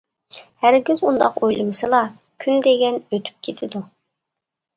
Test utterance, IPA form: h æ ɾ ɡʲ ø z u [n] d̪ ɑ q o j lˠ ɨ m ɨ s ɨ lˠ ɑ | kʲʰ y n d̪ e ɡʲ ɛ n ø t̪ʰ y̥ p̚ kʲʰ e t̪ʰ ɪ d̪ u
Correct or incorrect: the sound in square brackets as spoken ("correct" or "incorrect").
correct